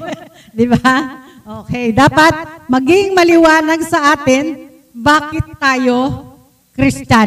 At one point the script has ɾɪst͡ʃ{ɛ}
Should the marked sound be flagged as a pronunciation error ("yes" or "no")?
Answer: yes